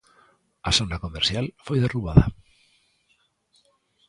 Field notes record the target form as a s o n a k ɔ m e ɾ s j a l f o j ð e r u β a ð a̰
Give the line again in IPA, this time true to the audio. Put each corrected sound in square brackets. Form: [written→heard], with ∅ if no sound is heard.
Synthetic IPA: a s o n a k [ɔ→o] m e ɾ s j a l f o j ð e r u β a ð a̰